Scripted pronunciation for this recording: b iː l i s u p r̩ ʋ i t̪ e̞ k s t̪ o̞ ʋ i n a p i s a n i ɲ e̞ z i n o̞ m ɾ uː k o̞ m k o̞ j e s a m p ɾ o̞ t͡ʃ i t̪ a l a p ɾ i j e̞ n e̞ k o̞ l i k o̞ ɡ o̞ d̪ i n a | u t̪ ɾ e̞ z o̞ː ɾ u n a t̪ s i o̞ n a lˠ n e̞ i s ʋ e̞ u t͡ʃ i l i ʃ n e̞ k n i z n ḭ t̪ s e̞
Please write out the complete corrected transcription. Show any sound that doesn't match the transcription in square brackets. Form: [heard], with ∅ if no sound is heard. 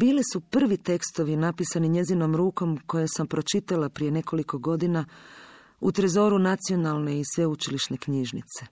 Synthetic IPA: b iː l i s u p r̩ ʋ i t̪ e̞ k s t̪ o̞ ʋ i n a p i s a n i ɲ e̞ z i n o̞ m ɾ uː k o̞ m k o̞ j e s a m p ɾ o̞ t͡ʃ i t̪ a l a p ɾ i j e̞ n e̞ k o̞ l i k o̞ ɡ o̞ d̪ i n a | u t̪ ɾ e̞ z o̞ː ɾ u n a t̪ s i o̞ n a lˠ n e̞ i s ʋ e̞ u t͡ʃ i l i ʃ n e̞ k [ɲ] i [ʒ] n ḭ t̪ s e̞